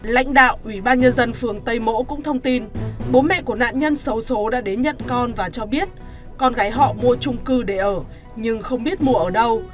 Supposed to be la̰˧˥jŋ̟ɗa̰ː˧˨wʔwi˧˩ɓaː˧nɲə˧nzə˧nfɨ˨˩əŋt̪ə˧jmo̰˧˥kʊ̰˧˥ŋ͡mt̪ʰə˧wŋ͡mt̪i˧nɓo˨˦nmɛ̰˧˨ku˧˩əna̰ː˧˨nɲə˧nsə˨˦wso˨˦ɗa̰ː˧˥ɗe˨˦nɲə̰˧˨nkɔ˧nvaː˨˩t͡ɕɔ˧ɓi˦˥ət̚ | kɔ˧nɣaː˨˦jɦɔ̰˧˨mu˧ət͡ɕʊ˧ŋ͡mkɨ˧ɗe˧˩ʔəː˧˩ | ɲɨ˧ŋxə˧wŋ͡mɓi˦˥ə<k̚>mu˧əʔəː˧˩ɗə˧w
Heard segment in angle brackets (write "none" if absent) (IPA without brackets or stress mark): t̚